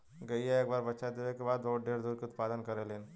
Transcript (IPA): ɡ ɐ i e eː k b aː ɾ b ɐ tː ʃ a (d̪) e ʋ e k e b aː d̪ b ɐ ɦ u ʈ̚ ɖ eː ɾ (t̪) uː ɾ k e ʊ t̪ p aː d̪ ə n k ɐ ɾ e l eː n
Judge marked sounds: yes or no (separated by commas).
yes, no